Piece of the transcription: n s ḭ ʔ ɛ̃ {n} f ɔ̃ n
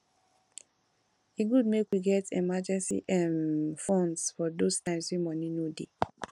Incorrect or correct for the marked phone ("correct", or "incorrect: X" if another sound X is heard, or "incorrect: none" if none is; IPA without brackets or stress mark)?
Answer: correct